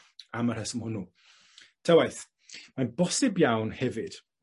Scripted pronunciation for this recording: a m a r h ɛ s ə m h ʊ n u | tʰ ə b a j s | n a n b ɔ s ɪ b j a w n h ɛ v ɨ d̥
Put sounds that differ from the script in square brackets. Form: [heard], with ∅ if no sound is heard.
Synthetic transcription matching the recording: a m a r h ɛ s ə m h ʊ n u | tʰ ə [w] a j [θ] | [m] a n b ɔ s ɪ b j a w n h ɛ v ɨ d̥